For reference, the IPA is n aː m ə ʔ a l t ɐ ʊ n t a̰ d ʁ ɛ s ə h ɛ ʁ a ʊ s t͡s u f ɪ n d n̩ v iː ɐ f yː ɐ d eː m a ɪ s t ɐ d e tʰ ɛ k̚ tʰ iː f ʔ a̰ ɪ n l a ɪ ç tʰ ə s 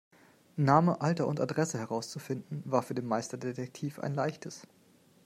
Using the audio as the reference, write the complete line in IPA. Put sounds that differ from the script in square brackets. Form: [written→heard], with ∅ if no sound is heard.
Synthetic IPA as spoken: n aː m ə ʔ a l t ɐ ʊ n t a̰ d ʁ ɛ s ə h ɛ ʁ a ʊ s t͡s u f ɪ n d n̩ v [iː→aː] ɐ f yː ɐ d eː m a ɪ s t ɐ d e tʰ ɛ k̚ tʰ iː f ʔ a̰ ɪ n l a ɪ ç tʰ ə s